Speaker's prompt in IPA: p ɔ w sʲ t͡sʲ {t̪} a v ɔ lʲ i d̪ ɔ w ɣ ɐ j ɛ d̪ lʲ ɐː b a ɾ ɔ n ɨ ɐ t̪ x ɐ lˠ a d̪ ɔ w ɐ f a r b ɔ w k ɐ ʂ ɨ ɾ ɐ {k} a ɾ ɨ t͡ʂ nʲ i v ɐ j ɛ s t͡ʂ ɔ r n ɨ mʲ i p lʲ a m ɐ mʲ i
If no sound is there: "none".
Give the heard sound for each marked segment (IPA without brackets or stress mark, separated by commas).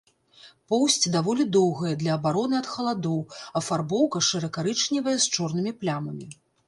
d̪, k